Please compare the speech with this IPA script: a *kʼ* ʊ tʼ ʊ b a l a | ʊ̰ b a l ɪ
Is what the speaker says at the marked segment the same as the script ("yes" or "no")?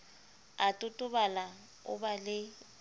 no